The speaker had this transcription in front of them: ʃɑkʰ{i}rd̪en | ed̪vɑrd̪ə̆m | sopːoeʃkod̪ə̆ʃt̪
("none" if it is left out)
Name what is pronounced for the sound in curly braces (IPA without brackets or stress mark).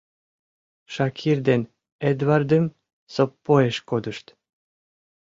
i